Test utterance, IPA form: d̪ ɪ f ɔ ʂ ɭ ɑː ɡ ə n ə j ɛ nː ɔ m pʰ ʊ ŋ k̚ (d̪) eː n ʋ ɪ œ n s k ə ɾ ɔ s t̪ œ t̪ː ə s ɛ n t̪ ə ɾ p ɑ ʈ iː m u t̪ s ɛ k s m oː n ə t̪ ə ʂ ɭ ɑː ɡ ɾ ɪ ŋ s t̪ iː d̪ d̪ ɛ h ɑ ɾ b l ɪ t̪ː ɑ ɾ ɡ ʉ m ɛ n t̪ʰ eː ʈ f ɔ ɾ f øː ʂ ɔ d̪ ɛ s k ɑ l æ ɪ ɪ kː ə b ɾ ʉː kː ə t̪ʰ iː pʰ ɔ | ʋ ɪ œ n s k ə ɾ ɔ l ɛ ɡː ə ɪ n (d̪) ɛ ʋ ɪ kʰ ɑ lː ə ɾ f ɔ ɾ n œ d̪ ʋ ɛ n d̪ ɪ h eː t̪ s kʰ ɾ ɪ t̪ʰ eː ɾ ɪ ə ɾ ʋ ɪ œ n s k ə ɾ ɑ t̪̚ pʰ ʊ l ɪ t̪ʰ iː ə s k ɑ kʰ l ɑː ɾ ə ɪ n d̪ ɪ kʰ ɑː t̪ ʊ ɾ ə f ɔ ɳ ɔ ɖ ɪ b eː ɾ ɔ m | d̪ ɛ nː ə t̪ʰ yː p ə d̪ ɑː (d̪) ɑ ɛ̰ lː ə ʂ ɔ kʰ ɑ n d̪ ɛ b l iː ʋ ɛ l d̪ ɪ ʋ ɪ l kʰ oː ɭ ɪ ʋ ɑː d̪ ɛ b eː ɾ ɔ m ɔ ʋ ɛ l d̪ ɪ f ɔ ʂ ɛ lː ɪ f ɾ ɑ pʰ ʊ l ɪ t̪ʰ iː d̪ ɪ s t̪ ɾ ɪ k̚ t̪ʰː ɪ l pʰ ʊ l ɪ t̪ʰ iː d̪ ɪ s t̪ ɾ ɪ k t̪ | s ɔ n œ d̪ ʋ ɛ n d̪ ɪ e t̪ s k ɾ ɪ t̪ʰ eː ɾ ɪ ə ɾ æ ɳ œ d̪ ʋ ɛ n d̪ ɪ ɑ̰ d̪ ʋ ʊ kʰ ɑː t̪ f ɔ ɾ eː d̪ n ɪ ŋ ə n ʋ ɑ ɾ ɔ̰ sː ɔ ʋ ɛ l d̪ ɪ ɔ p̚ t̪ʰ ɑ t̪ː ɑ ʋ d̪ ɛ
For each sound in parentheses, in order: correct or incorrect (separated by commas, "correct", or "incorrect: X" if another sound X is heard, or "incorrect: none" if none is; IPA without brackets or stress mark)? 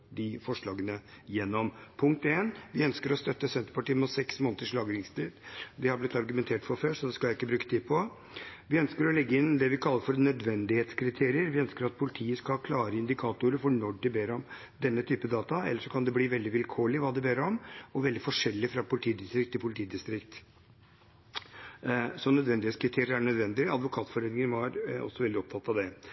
incorrect: t̪, correct, incorrect: t̪